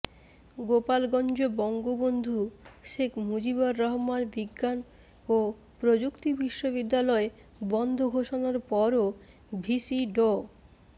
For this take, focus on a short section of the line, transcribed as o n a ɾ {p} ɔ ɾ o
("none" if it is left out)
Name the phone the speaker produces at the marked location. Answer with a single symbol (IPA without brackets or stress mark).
p